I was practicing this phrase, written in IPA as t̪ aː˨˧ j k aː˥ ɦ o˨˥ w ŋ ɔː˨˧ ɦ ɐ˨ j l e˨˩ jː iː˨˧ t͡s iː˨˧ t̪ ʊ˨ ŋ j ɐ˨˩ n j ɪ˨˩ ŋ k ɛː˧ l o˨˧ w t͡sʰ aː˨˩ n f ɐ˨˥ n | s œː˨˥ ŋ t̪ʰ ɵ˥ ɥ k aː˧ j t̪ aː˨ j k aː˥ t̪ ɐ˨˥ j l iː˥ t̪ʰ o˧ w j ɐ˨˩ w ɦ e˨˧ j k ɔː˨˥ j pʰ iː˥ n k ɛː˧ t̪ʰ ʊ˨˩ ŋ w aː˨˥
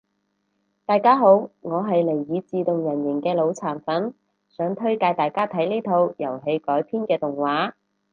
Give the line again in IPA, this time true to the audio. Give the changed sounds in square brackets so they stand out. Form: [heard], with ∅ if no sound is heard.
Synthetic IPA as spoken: t̪ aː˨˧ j k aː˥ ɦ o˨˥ w ŋ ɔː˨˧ ɦ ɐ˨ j l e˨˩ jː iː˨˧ t͡s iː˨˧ t̪ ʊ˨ ŋ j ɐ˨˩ n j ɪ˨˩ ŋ k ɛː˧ l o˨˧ w t͡sʰ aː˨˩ n f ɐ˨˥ n | s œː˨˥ ŋ t̪ʰ ɵ˥ ɥ k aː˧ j t̪ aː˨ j k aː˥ [t̪ʰ] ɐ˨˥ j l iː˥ t̪ʰ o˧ w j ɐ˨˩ w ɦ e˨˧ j k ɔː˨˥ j pʰ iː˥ n k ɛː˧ [t̪] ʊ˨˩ ŋ w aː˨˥